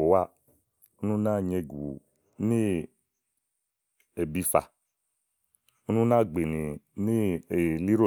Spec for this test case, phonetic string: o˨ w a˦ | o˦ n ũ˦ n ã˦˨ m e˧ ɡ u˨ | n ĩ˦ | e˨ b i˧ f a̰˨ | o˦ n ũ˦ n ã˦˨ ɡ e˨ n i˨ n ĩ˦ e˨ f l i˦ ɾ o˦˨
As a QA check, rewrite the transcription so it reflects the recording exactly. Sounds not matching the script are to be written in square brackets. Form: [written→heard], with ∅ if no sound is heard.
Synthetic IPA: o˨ w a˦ | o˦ n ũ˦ n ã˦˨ [m→ɲ] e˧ ɡ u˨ | n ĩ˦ | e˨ b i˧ f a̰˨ | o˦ n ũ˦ n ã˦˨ [ɡ→ɡ͡b] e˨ n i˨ n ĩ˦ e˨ [f→∅] l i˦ ɾ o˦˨